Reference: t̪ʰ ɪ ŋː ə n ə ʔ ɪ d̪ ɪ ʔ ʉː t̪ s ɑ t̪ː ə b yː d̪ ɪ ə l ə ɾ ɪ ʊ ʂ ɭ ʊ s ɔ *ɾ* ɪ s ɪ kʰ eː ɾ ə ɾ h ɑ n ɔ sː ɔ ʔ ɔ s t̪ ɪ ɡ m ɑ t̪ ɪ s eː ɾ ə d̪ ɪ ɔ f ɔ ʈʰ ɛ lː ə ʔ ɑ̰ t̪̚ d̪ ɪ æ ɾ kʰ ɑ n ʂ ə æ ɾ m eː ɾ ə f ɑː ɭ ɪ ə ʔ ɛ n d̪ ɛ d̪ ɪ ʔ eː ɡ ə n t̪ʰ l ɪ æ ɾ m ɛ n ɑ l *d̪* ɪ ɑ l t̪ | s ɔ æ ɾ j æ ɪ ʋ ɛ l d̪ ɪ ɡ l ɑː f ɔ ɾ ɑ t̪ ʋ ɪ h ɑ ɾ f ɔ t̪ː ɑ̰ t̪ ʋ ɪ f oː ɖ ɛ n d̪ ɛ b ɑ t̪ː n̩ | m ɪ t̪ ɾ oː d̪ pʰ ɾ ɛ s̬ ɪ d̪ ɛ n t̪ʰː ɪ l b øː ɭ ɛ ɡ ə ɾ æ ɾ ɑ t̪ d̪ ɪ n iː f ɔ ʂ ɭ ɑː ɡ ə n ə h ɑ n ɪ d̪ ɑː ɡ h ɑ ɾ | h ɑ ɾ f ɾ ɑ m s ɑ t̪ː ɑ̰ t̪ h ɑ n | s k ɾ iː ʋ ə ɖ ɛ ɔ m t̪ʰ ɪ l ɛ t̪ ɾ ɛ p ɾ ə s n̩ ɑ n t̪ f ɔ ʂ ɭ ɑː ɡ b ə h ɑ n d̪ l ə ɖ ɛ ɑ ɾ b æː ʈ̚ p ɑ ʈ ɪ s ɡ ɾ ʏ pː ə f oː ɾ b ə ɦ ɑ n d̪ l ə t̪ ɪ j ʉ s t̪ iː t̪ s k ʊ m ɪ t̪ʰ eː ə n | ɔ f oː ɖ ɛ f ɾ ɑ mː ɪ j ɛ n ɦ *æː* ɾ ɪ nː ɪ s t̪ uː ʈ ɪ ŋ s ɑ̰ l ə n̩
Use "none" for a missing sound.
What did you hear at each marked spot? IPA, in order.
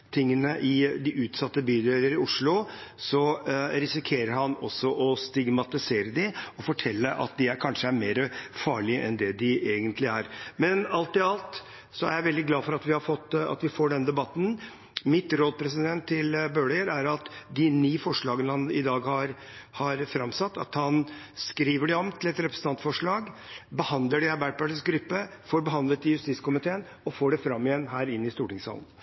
ɾ, t̪, æː

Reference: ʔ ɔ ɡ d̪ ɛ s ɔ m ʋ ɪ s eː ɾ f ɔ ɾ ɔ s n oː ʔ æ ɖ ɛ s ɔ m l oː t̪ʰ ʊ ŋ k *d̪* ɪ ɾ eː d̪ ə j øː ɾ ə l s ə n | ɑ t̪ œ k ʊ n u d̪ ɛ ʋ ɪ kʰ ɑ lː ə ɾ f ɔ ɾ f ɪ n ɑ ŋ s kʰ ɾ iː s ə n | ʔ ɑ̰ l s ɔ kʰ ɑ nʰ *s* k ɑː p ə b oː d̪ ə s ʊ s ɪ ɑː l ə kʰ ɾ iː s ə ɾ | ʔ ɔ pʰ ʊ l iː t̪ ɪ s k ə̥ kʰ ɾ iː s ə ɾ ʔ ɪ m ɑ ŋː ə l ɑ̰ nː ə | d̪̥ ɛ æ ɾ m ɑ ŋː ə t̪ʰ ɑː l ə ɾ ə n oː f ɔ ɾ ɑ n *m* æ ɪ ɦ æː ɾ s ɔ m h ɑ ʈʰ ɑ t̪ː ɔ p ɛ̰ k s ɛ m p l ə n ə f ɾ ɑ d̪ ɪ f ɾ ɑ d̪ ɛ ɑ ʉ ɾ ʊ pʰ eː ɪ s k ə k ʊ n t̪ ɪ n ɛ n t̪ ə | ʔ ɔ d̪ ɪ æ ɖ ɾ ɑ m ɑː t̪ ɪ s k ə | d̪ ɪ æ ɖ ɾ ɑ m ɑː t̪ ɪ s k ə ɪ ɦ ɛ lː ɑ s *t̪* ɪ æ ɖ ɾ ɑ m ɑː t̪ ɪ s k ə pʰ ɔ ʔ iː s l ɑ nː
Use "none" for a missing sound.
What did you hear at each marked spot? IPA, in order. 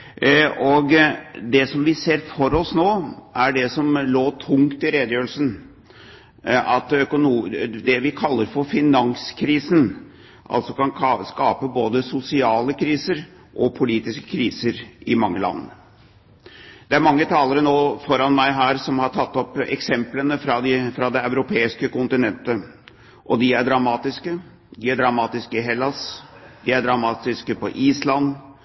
t̪, s, m, d̪

